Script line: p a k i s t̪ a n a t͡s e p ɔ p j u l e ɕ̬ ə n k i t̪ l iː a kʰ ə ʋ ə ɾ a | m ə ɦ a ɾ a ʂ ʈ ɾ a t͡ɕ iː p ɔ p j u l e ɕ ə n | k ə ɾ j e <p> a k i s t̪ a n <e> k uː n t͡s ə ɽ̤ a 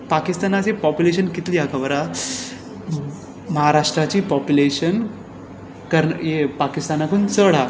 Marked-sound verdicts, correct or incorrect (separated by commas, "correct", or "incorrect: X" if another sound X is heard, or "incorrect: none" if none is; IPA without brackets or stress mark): correct, incorrect: a